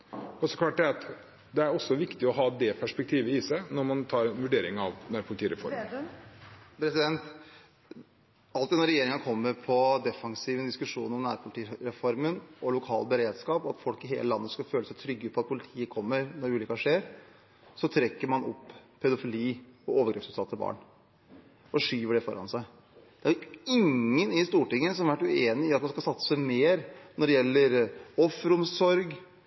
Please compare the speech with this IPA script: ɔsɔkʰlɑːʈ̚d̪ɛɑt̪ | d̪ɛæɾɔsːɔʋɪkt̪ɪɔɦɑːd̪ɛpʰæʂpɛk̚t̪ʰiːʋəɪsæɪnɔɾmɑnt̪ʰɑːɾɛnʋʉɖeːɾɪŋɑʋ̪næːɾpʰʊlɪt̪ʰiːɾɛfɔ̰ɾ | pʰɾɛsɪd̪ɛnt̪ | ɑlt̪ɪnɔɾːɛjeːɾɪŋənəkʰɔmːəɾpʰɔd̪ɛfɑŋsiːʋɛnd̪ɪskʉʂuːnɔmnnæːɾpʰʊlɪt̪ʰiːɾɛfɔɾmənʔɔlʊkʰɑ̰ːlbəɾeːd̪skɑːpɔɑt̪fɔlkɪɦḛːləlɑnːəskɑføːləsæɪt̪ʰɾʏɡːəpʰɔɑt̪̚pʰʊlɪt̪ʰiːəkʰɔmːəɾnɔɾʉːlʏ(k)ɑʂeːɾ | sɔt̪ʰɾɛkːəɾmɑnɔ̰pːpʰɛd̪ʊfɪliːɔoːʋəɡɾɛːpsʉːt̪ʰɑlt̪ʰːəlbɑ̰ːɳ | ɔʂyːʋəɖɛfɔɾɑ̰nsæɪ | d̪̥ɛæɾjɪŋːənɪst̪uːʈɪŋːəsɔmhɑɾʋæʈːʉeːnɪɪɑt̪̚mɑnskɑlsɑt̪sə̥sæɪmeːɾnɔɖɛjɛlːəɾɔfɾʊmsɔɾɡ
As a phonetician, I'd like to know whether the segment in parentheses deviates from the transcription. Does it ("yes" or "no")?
no